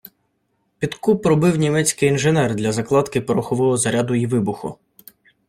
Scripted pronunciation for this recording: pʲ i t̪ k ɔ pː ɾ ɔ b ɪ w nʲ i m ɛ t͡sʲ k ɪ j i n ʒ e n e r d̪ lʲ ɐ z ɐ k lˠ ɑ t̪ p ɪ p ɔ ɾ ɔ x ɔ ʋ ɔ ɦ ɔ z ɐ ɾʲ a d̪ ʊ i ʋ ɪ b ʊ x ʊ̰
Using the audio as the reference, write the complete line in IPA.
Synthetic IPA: pʲ i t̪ k u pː ɾ ɔ b ɪ w nʲ i m ɛ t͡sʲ k ɪ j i n ʒ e n ɛ r d̪ lʲ ɐ z ɐ k lˠ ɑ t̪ k ɪ p ɔ ɾ ɔ x ɔ ʋ ɔ ɦ ɔ z ɐ ɾʲ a d̪ ʊ i ʋ ɪ b ʊ x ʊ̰